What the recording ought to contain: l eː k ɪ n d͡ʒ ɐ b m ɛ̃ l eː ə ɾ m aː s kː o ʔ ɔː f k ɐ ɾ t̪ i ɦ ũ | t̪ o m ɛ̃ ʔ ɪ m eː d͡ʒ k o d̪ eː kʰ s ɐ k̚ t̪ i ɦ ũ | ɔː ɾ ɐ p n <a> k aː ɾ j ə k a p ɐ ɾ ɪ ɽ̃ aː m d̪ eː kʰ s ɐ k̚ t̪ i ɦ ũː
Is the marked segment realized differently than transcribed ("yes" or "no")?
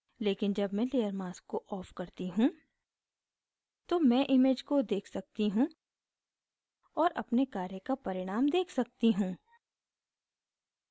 yes